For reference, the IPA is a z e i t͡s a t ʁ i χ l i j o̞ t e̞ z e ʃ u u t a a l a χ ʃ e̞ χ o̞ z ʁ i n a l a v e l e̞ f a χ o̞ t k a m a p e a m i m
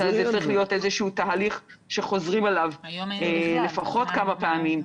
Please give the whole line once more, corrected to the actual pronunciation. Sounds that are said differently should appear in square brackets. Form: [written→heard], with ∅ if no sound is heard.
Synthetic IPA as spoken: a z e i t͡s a [t→∅] ʁ i χ l i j o̞ t e̞ z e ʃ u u t a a l [a→i] χ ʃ e̞ χ o̞ z ʁ i [n→m] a l a v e l e̞ f a χ o̞ t k a m a p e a m i m